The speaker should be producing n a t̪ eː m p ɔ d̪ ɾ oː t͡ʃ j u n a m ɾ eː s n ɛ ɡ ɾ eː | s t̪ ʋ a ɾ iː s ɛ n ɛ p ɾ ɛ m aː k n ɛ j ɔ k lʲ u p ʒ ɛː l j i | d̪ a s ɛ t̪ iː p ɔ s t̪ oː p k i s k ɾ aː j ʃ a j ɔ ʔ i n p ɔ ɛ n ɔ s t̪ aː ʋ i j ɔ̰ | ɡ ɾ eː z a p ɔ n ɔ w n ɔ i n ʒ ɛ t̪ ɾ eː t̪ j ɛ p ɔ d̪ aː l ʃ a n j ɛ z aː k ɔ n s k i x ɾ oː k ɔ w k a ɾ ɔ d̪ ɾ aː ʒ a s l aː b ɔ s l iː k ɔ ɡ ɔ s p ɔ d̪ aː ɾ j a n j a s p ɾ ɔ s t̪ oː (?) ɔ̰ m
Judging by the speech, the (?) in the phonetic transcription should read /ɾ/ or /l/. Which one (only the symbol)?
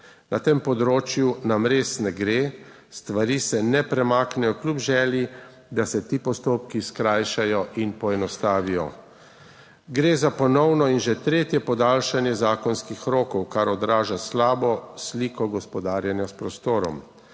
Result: ɾ